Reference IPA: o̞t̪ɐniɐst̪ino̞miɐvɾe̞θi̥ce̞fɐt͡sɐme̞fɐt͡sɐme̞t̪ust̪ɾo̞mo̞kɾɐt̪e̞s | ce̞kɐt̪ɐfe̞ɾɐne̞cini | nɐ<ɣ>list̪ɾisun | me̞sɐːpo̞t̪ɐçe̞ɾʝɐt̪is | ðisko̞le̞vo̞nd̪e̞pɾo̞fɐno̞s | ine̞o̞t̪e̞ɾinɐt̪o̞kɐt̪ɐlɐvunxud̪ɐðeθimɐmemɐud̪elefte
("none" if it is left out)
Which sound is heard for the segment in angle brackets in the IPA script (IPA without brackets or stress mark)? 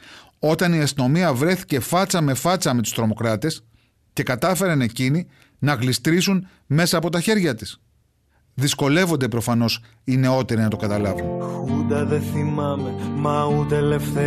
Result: ɣ